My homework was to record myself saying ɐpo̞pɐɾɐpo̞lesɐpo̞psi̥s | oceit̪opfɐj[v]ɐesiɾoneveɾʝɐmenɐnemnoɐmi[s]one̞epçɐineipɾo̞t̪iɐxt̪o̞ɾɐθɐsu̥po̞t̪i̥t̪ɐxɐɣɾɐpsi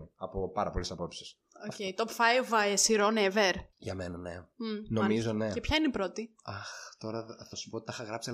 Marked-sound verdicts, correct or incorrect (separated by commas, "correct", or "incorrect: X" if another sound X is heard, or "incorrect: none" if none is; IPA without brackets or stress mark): correct, incorrect: z